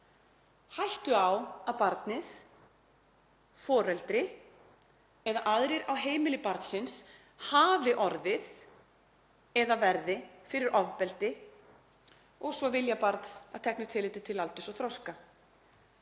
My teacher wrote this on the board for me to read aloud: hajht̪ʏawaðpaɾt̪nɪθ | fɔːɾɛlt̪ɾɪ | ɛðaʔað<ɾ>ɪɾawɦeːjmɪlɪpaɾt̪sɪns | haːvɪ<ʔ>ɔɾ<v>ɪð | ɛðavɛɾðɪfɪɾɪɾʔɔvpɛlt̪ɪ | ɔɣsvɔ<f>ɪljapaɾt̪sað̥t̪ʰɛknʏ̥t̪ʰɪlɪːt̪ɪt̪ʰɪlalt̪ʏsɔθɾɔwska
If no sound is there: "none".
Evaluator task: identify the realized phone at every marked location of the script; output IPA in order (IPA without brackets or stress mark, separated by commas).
ɾ, ʔ, ð, v